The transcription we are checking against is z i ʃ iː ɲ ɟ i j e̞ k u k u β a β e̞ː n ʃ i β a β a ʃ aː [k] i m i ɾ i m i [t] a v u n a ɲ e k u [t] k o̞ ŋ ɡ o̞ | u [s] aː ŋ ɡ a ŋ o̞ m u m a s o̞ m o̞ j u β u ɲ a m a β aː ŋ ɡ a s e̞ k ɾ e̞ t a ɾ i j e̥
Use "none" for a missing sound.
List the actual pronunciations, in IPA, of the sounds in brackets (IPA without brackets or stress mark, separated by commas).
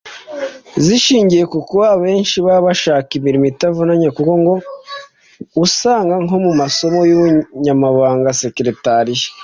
k, t, none, s